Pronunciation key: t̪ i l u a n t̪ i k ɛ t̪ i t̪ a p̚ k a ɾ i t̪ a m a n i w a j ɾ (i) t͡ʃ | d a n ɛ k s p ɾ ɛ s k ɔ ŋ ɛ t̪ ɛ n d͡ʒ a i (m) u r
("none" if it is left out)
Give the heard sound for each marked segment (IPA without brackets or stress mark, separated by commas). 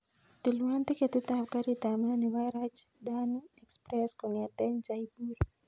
a, b